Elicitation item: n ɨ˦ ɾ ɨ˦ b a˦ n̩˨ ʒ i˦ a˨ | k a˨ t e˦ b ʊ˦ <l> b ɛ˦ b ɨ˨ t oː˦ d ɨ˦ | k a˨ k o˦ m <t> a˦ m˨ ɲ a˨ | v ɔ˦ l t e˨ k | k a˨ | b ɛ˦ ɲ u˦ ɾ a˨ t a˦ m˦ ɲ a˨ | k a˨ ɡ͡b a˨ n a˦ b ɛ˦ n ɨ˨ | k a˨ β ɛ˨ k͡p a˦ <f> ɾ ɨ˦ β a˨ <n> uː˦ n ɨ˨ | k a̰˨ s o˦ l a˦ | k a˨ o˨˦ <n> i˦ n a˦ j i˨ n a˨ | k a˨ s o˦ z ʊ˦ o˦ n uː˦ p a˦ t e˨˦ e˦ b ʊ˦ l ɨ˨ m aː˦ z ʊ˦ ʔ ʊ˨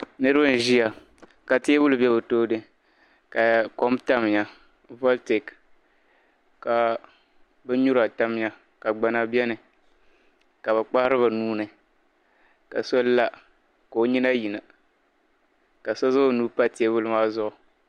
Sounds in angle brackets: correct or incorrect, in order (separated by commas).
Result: correct, correct, incorrect, correct, incorrect